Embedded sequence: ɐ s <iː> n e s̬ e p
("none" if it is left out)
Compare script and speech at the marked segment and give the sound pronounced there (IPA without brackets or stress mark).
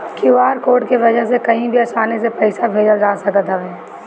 aː